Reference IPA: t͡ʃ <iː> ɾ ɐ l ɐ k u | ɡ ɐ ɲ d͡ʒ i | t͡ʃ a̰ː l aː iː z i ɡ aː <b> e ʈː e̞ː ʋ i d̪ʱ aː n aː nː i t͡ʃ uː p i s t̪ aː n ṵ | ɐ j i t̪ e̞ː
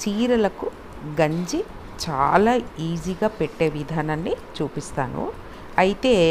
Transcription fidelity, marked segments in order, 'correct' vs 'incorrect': correct, incorrect: p

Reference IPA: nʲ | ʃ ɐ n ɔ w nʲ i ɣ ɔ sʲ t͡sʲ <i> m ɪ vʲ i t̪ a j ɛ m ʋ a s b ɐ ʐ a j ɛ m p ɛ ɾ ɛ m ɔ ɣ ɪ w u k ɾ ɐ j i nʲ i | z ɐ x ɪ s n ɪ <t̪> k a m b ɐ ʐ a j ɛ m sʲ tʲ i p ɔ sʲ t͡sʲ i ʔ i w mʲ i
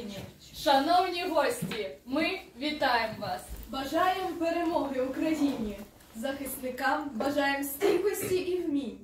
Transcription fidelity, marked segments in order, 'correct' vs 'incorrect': correct, incorrect: none

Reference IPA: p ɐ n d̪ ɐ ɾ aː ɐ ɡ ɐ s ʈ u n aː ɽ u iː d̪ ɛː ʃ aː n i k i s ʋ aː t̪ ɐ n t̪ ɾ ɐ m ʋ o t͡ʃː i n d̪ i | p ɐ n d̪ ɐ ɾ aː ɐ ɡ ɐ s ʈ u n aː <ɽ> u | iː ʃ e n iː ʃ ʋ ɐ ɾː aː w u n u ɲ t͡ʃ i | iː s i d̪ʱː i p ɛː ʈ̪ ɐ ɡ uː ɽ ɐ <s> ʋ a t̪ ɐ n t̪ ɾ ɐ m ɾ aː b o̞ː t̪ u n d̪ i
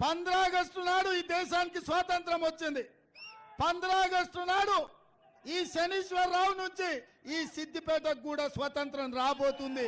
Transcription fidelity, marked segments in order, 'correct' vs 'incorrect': correct, correct

